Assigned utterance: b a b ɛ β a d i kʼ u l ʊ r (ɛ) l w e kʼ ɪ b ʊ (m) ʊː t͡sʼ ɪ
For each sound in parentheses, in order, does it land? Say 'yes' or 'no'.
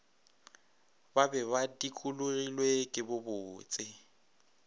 no, no

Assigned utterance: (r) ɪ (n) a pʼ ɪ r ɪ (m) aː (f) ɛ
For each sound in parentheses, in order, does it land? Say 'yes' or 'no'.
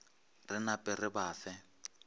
yes, yes, no, yes

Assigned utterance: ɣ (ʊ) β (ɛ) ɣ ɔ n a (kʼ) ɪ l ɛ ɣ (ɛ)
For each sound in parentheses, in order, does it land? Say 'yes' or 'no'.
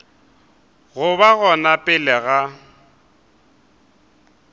yes, no, no, no

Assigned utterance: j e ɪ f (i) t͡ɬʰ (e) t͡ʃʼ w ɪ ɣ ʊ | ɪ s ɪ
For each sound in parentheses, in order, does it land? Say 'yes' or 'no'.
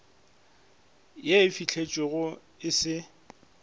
yes, yes

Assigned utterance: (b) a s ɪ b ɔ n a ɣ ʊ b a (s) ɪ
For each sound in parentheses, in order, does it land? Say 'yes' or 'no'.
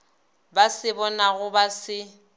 yes, yes

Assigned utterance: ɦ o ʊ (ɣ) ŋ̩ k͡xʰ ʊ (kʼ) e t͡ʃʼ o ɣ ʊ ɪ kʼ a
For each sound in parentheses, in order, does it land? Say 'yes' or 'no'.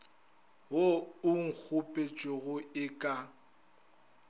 no, no

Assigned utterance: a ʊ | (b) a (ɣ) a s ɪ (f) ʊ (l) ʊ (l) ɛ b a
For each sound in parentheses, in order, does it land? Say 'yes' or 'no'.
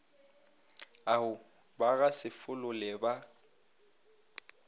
yes, yes, yes, yes, yes

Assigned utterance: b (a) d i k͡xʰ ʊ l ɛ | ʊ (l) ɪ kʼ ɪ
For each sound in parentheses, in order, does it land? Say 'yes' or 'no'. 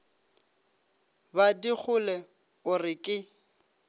yes, no

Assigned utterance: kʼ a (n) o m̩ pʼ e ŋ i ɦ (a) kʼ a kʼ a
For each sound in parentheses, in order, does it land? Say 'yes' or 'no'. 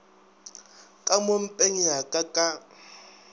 no, yes

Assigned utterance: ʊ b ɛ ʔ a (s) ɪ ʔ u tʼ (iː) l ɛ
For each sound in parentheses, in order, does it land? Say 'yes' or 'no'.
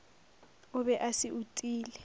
yes, yes

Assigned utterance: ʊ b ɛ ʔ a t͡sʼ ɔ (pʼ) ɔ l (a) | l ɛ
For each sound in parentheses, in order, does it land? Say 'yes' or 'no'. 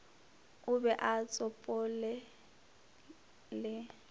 yes, no

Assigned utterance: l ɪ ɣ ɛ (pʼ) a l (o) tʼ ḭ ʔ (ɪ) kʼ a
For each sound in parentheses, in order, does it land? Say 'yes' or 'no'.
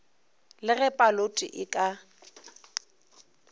yes, yes, yes

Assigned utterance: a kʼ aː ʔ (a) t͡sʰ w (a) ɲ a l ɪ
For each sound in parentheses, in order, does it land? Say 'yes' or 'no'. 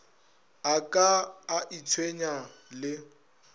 no, no

